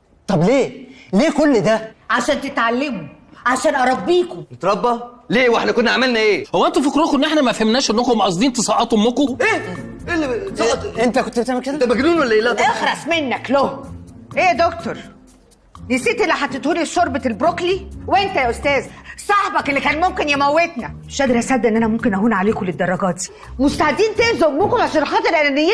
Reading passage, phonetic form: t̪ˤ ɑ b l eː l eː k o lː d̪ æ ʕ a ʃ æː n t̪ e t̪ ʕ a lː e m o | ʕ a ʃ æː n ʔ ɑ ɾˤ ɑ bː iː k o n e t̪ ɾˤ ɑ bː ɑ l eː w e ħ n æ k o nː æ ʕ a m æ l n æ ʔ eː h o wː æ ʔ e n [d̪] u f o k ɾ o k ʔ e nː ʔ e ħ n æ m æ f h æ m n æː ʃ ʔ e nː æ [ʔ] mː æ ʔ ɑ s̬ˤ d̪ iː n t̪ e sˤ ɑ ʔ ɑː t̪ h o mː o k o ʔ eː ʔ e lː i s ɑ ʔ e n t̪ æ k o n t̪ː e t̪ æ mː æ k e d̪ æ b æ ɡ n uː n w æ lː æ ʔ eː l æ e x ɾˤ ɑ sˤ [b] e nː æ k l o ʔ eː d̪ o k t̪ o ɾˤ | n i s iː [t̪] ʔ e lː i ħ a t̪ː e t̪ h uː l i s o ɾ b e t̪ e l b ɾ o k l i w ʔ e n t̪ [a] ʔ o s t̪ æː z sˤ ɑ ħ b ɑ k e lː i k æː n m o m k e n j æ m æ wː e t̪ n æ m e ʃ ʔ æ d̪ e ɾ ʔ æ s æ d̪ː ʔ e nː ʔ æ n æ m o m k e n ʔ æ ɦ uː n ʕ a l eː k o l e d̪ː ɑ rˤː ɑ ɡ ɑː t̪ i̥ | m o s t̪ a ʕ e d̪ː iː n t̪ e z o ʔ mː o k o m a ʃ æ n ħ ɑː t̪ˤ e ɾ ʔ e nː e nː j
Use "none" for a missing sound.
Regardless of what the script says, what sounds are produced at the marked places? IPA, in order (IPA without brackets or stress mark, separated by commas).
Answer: t̪, k, m, t̪, æ